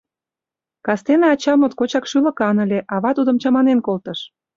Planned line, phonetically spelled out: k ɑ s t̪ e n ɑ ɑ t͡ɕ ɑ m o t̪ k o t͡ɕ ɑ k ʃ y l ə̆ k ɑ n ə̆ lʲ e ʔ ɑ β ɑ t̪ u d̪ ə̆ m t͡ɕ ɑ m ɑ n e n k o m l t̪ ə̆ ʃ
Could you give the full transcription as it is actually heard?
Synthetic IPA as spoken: k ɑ s t̪ e n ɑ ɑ t͡ɕ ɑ m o t̪ k o t͡ɕ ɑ k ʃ y l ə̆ k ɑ n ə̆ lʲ e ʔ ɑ β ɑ t̪ u d̪ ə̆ m t͡ɕ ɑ m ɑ n e n k o l t̪ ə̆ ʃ